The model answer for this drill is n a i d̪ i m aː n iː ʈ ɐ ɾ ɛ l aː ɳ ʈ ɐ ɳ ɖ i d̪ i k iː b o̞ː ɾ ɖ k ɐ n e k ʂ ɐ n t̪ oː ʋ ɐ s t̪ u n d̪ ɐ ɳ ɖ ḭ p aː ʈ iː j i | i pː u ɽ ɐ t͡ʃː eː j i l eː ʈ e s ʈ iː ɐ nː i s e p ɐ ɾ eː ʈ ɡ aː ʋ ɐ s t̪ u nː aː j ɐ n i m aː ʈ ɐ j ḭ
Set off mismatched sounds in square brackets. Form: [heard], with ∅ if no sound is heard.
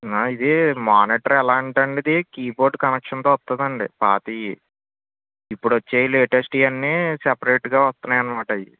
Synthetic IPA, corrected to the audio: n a i d̪ i m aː n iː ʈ ɐ ɾ ɛ l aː ɳ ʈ ɐ ɳ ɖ i d̪ i k iː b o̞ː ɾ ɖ k ɐ n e k ʂ ɐ n t̪ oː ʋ ɐ s t̪ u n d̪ ɐ ɳ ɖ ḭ p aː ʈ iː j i | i pː u ɽ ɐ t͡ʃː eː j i l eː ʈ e s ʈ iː ɐ nː i s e p ɐ ɾ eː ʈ ɡ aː ʋ ɐ s t̪ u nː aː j ɐ n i m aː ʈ ɐ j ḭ